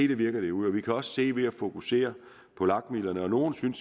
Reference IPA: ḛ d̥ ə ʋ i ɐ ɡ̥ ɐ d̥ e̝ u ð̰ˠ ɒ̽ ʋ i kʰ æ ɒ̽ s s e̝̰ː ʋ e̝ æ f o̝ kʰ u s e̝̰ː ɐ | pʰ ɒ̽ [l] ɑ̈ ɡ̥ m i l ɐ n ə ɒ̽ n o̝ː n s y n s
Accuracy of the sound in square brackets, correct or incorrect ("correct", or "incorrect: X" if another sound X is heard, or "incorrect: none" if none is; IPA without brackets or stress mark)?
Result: correct